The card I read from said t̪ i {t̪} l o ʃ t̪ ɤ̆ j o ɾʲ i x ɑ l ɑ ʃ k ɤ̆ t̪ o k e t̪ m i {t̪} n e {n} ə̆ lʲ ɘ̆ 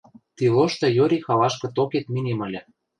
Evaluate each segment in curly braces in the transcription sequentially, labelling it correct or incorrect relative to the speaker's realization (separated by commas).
incorrect, incorrect, incorrect